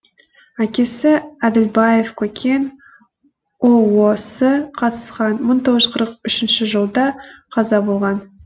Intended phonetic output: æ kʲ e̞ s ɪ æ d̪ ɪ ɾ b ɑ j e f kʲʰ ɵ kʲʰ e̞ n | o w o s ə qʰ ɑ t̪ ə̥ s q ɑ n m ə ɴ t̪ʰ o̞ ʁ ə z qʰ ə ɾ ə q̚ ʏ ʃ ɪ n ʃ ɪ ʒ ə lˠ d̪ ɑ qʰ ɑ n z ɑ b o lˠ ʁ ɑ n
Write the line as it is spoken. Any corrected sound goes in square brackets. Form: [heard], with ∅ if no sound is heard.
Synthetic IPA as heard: æ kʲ e̞ s ɪ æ d̪ ɪ [l] b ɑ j e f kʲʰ ɵ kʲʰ e̞ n | o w o s ə qʰ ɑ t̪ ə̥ s q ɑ n m ə ɴ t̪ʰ o̞ ʁ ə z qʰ ə ɾ ə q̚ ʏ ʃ ɪ n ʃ ɪ ʒ ə lˠ d̪ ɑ qʰ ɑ [∅] z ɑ b o lˠ ʁ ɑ n